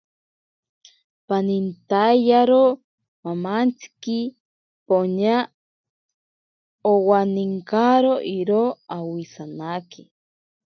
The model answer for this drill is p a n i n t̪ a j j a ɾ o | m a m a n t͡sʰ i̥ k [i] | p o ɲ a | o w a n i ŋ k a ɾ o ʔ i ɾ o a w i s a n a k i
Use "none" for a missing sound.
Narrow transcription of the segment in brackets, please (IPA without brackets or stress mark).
i